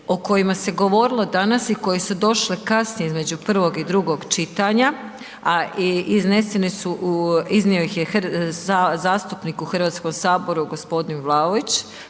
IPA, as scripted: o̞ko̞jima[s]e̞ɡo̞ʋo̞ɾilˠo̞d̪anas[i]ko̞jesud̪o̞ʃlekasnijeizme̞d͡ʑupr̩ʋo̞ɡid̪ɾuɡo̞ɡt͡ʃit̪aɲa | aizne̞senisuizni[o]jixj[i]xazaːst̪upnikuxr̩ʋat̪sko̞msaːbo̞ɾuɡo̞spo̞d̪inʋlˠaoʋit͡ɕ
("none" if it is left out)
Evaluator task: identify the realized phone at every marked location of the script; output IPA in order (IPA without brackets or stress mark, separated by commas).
s, i, o, e